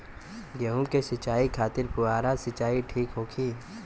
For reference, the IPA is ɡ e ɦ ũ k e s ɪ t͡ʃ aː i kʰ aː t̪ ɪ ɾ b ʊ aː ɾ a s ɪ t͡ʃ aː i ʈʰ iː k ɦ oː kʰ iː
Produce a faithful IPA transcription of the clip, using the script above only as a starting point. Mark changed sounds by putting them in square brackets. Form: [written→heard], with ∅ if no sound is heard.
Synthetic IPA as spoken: ɡ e ɦ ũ k e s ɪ t͡ʃ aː i kʰ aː t̪ ɪ ɾ [b→p] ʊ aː ɾ a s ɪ t͡ʃ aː i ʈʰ iː k ɦ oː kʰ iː